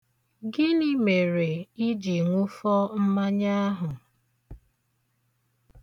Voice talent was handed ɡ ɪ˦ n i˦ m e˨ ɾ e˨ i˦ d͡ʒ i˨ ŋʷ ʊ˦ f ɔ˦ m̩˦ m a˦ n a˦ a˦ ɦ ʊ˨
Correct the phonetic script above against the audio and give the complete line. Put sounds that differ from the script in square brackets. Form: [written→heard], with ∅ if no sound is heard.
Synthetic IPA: ɡ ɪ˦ n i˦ m e˨ ɾ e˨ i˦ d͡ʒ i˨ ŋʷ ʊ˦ f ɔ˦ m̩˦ m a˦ [n→ɲ] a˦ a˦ ɦ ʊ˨